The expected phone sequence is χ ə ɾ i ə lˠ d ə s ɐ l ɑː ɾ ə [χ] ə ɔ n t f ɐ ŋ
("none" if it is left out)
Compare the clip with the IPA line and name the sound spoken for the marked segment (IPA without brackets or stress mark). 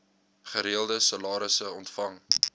s